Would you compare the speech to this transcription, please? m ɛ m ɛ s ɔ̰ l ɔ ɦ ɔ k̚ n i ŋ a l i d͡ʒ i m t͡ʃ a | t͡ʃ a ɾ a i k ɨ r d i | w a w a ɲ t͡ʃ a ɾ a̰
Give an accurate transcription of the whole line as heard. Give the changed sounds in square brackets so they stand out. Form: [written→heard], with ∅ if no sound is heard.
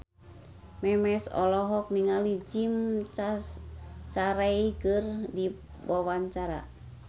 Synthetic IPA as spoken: m ɛ m ɛ s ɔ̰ l ɔ ɦ ɔ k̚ n i ŋ a l i d͡ʒ i m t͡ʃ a | t͡ʃ a ɾ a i k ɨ r d i | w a w a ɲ t͡ʃ a ɾ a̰

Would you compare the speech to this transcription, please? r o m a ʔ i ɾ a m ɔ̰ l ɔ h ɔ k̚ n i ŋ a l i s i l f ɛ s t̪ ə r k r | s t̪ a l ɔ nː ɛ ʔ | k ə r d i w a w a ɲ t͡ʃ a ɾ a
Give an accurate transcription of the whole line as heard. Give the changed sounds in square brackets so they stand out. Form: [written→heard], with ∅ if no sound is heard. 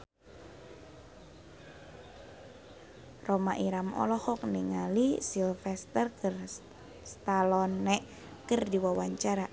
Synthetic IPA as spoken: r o m a ʔ i ɾ a m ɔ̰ l ɔ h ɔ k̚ n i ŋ a l i s i l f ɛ s t̪ ə r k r | s t̪ a l ɔ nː ɛ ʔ | k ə r d i w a w a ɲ t͡ʃ a ɾ a

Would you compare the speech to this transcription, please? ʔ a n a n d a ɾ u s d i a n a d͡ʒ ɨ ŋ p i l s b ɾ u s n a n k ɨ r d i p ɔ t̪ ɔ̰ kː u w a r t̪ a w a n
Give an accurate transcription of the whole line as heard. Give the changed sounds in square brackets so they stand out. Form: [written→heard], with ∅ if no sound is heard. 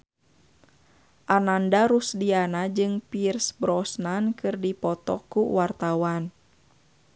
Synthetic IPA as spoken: ʔ a n a n d a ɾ u s d i a n a d͡ʒ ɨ ŋ p i [l→r] s b ɾ [u→ɔ] s n a n k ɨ r d i p ɔ t̪ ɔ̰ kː u w a r t̪ a w a n

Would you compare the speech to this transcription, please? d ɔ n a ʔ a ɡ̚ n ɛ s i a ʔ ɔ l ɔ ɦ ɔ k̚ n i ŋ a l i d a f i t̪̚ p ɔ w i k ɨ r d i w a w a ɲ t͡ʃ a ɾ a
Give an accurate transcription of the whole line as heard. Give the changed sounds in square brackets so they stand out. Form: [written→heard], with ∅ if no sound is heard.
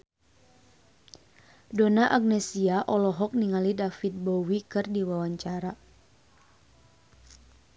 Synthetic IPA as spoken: d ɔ n a ʔ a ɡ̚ n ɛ s i a ʔ ɔ l ɔ ɦ ɔ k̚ n i ŋ a l i d a f i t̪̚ [p→b] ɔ w i k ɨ r d i w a w a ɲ t͡ʃ a ɾ a

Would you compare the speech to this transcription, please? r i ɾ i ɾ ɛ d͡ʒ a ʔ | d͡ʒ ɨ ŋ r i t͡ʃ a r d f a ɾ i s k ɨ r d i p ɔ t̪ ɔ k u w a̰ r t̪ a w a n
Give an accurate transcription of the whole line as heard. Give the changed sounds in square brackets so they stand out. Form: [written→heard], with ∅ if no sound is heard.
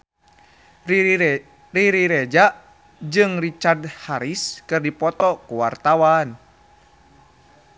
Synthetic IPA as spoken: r i ɾ i ɾ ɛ d͡ʒ a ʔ | d͡ʒ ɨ ŋ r i t͡ʃ a r d [f→h] a ɾ i s k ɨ r d i p ɔ t̪ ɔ k u w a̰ r t̪ a w a n

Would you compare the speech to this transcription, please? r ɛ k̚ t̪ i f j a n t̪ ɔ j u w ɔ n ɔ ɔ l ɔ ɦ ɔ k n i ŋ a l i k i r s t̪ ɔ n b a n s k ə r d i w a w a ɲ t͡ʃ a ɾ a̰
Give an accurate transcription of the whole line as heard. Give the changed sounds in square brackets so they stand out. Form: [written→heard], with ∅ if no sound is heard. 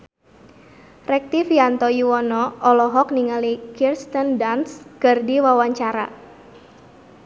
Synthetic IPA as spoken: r ɛ k̚ t̪ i f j a n t̪ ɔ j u w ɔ n ɔ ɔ l ɔ ɦ ɔ k n i ŋ a l i k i r s t̪ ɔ n [b→d] a n s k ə r d i w a w a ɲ t͡ʃ a ɾ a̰

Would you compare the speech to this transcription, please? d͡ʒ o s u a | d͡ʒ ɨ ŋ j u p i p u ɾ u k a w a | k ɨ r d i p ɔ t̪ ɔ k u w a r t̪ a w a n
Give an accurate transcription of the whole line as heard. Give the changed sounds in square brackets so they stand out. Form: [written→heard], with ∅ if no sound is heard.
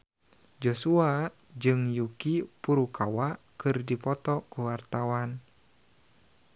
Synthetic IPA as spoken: d͡ʒ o s u a | d͡ʒ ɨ ŋ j u [p→k] i p u ɾ u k a w a | k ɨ r d i p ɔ t̪ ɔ k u w a r t̪ a w a n

